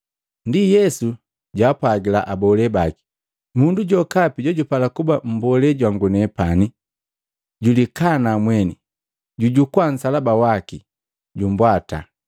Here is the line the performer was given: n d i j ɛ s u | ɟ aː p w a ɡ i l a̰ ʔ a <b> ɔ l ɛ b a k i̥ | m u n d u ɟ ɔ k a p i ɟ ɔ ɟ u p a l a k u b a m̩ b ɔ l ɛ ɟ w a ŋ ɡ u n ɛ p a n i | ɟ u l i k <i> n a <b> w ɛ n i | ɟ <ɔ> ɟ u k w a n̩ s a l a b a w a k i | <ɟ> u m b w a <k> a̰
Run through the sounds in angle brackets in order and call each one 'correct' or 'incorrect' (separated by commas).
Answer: correct, incorrect, incorrect, incorrect, correct, incorrect